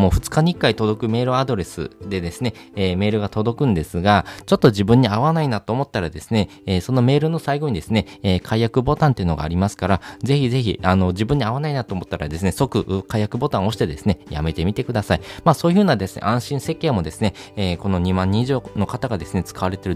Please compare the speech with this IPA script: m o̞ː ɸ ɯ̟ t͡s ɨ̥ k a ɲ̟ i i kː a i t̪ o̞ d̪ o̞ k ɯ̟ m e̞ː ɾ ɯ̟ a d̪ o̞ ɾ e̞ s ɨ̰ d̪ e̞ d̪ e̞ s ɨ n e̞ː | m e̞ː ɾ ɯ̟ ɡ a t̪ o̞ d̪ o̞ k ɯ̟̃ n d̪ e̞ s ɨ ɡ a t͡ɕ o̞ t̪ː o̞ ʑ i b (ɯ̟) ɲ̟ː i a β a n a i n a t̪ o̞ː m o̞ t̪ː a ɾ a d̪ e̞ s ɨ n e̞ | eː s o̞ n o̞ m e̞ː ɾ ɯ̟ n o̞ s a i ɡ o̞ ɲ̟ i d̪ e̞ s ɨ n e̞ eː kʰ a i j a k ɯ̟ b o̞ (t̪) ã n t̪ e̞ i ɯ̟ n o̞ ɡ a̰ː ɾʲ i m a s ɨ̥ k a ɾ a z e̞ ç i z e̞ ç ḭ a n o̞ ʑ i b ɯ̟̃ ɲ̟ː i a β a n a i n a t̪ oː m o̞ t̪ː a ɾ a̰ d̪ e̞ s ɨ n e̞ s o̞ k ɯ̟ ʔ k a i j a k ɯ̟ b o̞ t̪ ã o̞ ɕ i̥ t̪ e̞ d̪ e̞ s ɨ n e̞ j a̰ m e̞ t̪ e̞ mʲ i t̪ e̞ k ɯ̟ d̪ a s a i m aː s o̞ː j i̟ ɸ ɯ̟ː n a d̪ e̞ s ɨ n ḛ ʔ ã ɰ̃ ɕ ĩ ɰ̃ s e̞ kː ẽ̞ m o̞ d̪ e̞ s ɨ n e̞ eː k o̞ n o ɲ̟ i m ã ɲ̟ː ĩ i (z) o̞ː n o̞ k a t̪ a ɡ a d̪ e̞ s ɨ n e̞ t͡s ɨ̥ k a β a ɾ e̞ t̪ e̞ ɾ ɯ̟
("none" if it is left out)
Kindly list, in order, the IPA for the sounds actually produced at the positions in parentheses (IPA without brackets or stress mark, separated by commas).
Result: ɯ̟̃, t̪, ʑ